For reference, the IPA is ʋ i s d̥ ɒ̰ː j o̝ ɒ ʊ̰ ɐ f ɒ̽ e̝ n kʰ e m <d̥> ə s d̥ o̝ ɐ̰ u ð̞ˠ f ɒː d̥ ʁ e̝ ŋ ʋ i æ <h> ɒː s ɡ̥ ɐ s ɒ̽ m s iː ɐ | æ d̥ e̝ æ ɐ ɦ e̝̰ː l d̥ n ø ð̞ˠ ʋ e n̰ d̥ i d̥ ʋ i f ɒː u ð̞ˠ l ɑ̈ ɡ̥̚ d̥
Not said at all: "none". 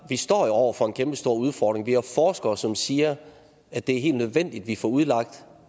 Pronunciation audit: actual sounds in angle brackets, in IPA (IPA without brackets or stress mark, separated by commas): b̥, f